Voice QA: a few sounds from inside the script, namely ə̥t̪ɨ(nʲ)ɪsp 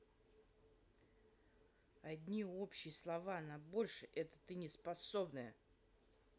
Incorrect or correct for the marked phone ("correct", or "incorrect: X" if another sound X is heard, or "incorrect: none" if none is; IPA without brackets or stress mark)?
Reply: correct